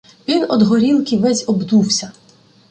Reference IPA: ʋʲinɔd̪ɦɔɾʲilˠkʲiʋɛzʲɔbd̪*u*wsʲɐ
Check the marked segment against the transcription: correct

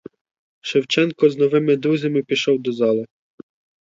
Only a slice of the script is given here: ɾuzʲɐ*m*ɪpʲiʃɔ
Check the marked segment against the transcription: correct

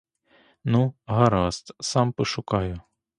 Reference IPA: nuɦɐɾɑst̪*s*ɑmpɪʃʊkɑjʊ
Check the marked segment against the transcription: correct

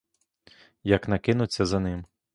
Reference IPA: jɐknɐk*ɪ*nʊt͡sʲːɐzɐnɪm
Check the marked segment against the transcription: correct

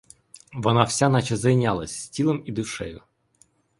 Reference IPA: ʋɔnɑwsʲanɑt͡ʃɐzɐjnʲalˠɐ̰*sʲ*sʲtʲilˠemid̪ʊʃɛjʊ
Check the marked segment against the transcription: correct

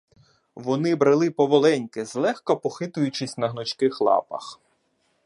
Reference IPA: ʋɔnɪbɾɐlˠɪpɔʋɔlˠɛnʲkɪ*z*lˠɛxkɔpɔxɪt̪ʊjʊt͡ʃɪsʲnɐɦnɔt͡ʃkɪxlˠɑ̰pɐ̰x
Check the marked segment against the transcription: correct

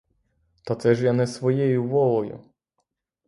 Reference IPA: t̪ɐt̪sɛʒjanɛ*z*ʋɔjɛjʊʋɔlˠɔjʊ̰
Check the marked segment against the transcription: incorrect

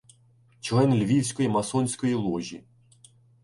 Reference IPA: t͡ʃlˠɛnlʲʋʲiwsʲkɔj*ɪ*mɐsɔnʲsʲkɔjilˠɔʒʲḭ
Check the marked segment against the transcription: incorrect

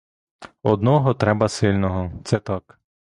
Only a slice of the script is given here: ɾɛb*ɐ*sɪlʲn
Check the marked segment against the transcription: correct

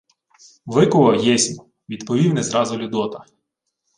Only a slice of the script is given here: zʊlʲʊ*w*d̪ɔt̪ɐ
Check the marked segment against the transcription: incorrect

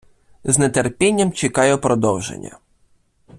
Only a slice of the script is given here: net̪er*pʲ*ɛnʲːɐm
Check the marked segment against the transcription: correct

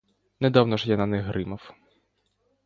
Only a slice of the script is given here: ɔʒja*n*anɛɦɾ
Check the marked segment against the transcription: correct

